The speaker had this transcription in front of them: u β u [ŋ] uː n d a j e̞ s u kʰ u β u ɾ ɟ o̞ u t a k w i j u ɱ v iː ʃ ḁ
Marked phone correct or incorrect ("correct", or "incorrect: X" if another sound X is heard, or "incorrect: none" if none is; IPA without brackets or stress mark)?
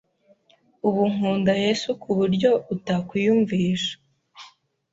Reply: correct